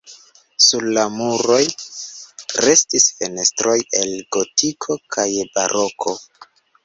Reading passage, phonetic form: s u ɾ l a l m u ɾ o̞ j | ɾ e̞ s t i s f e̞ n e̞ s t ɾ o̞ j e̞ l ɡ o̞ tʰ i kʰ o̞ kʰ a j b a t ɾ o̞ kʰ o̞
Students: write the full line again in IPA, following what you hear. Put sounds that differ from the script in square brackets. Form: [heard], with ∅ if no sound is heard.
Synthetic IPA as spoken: s u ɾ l a [∅] m u ɾ o̞ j | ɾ e̞ s t i s f e̞ n e̞ s t ɾ o̞ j e̞ l ɡ o̞ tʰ i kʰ o̞ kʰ a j b a [∅] ɾ o̞ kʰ o̞